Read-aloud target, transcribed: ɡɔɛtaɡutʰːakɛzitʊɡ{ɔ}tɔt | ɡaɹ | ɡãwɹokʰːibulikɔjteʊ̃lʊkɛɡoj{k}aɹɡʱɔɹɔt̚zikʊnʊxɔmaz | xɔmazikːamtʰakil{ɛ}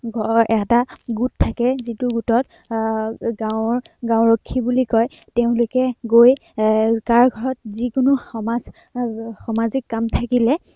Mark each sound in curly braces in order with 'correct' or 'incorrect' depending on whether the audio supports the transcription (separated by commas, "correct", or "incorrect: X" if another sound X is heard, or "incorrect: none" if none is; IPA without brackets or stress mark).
incorrect: u, correct, correct